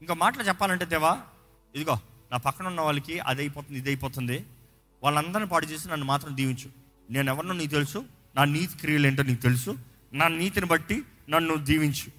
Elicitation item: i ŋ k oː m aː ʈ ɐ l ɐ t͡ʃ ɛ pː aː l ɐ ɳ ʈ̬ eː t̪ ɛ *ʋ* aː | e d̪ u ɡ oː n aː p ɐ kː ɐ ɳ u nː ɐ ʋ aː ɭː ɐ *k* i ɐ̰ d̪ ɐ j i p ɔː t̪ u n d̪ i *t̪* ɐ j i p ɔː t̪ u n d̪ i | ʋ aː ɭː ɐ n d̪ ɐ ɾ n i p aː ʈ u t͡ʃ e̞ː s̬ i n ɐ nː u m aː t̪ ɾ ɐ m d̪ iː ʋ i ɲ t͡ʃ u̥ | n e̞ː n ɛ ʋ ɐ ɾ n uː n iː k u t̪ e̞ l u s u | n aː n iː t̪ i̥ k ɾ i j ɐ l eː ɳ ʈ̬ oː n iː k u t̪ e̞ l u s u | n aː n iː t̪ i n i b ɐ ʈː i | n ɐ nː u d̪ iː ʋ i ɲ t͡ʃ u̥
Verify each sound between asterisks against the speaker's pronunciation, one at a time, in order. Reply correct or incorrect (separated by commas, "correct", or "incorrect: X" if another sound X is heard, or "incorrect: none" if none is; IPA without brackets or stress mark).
correct, correct, incorrect: d̪